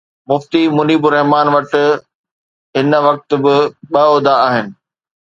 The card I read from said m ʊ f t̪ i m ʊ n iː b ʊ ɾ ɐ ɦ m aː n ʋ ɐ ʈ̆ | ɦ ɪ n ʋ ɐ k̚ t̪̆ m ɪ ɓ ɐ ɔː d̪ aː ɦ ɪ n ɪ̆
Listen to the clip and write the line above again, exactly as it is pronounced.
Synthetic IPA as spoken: m ʊ f t̪ i m ʊ n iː b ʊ ɾ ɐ ɦ m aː n ʋ ɐ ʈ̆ | ɦ ɪ n ʋ ɐ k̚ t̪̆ b ɪ ɓ ɐ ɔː d̪ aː ɦ ɪ n ɪ̆